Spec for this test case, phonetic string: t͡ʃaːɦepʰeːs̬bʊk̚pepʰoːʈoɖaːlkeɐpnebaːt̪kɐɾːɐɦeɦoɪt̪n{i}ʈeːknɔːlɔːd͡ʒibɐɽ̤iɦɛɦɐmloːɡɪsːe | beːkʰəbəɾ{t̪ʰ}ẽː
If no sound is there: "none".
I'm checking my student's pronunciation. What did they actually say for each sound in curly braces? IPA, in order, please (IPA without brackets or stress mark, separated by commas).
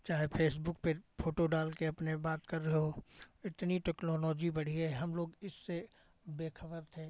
i, t̪ʰ